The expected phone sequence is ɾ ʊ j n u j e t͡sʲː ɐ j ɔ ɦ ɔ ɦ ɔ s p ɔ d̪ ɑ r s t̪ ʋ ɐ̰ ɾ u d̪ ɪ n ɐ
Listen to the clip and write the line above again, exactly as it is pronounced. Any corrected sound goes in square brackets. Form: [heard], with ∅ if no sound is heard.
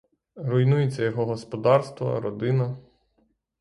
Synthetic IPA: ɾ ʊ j n u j e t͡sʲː ɐ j ɔ ɦ ɔ ɦ ɔ s p ɔ d̪ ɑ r s t̪ ʋ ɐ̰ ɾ [ɔ] d̪ ɪ n ɐ